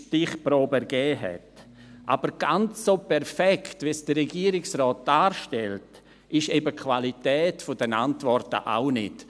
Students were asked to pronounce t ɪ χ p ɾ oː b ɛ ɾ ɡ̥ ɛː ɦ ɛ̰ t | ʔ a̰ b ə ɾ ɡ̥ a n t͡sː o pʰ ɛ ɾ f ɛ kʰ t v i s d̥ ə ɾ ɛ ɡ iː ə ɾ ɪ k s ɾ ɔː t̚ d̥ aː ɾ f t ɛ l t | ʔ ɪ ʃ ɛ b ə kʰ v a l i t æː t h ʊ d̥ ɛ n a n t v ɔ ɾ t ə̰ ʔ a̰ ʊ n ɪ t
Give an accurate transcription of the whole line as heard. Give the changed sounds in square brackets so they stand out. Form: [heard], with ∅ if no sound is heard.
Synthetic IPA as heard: t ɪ χ p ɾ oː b ɛ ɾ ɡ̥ ɛː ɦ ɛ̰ t | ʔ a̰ b ə ɾ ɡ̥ a n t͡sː o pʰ ɛ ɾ f ɛ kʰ t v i s d̥ ə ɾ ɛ ɡ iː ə ɾ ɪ k s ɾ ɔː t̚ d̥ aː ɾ [ʃ] t ɛ l t | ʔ ɪ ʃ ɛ b ə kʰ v a l i t [ɛː] t [f] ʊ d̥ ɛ n a n t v ɔ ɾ t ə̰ ʔ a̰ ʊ n ɪ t